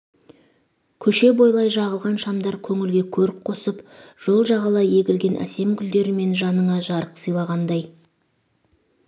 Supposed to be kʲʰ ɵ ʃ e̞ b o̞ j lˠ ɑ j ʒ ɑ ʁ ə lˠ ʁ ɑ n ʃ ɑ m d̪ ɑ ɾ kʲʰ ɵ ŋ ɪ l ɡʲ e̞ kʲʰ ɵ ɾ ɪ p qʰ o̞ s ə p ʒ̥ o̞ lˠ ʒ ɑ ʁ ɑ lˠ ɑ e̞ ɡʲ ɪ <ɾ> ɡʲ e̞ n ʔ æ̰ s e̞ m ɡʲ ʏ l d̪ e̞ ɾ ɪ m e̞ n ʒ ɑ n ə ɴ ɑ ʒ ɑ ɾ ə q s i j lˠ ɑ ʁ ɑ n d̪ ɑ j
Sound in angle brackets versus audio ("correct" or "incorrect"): incorrect